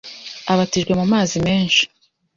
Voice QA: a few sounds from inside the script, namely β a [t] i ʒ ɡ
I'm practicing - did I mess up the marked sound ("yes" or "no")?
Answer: no